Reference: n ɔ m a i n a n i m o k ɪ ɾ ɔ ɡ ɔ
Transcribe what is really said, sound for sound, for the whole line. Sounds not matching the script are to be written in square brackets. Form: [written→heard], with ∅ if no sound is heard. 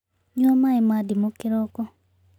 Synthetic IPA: [n→ɲ] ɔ m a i [n→m] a [n→d] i m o k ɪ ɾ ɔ [ɡ→k] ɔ